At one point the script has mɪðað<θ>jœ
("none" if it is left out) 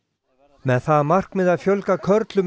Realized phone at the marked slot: f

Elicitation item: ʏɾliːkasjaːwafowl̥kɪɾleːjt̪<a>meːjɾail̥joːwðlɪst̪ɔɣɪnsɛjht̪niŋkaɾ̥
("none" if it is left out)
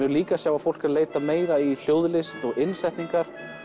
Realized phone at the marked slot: a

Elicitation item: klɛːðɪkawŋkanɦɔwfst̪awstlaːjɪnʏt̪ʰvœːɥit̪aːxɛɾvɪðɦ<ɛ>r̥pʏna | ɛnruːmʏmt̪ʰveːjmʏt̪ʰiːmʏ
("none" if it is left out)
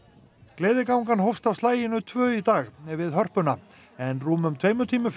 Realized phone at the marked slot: œ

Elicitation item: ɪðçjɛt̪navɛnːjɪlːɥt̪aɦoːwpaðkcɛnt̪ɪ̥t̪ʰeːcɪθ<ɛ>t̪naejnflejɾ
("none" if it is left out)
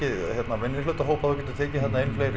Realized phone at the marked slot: ɛ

